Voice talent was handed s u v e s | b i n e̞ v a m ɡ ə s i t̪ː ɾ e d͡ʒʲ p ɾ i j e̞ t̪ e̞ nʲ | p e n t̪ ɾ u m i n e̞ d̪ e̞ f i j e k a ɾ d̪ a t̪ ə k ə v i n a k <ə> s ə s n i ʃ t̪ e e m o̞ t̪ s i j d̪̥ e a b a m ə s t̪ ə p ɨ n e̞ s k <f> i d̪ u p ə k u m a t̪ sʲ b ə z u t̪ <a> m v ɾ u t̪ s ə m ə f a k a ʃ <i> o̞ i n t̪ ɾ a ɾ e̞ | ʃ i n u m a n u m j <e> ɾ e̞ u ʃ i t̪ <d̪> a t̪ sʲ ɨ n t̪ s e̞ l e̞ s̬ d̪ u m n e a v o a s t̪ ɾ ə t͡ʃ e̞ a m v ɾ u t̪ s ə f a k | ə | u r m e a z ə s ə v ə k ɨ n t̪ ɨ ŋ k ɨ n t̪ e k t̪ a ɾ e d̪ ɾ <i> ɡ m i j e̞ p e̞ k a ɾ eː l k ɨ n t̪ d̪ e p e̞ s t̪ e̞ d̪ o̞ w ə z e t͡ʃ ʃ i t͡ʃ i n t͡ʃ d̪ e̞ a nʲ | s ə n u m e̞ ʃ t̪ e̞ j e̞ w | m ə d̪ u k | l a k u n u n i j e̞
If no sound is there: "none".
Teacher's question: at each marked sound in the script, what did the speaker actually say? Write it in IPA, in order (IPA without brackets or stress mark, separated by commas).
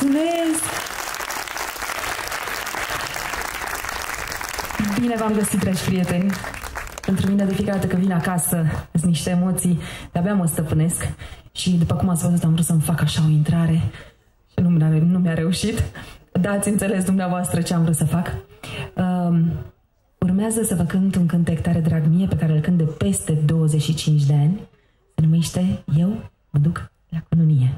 a, ʃ, a, a, a, d̪, a